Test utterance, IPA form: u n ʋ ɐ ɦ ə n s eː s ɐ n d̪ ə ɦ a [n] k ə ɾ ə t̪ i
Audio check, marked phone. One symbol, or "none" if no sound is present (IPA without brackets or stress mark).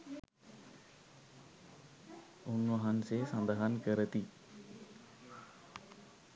n